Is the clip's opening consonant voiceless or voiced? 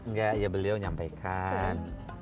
voiced